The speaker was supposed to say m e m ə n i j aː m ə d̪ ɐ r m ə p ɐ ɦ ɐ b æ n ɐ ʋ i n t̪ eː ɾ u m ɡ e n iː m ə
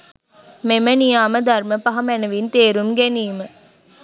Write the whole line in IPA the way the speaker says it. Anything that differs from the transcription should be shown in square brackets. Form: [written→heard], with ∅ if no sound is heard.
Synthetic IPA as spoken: m e m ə n i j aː m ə d̪ ɐ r m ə p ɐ ɦ ɐ [b→m] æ n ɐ ʋ i n t̪ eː ɾ u m ɡ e n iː m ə